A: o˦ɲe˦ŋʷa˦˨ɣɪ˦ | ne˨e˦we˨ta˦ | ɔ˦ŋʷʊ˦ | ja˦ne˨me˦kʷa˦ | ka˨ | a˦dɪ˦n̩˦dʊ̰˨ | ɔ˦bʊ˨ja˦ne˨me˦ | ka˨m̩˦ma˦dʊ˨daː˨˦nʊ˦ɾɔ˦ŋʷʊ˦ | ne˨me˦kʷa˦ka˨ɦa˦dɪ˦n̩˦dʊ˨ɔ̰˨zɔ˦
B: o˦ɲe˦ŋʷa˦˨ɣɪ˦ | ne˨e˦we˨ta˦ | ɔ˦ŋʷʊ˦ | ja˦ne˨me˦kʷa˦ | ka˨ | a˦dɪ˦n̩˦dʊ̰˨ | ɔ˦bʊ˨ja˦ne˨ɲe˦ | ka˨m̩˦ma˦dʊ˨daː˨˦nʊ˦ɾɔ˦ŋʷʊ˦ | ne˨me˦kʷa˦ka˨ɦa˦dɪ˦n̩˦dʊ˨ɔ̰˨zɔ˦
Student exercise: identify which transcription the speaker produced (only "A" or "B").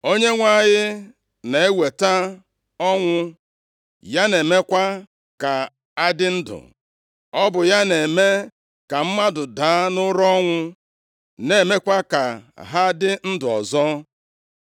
A